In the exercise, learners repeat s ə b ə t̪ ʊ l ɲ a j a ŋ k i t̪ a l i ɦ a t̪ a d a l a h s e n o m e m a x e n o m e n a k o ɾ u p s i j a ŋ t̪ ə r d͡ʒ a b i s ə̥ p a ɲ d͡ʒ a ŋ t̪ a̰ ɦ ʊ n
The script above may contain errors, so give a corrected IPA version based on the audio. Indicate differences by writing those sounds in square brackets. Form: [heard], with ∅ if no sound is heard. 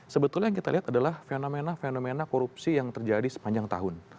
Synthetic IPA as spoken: s ə b ə t̪ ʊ l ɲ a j a ŋ k i t̪ a l i ɦ a t̪ a d a l a h [f] e n o m e [n] a [f] e n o m e n a k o ɾ u p s i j a ŋ t̪ ə r d͡ʒ a [d] i s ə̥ p a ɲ d͡ʒ a ŋ t̪ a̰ ɦ ʊ n